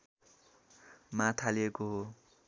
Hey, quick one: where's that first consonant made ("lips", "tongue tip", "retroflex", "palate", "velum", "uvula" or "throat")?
lips